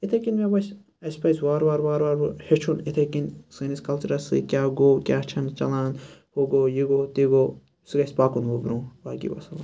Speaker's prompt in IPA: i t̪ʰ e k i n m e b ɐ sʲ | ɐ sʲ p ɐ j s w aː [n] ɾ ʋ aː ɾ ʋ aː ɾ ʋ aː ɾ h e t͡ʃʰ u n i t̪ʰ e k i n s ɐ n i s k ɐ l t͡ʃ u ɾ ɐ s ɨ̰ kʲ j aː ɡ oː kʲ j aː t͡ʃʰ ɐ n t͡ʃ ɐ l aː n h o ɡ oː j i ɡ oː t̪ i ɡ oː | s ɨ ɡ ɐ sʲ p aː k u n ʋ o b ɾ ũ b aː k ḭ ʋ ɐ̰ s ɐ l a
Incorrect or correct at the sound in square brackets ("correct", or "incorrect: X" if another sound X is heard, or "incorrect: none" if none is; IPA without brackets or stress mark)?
incorrect: none